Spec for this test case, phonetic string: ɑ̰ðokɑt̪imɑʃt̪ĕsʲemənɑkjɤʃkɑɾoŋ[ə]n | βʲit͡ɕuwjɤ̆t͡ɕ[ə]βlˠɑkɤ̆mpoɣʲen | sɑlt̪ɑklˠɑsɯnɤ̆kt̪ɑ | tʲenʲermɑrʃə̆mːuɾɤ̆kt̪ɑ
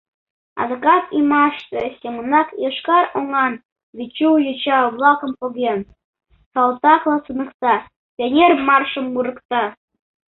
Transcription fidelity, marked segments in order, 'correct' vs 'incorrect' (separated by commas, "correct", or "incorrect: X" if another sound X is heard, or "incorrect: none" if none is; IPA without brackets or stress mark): incorrect: ɑ, incorrect: ɑ